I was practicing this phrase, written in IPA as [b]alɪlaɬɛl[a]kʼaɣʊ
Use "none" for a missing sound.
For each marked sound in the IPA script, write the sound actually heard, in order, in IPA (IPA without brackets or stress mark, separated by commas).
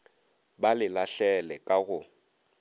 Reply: b, ɛ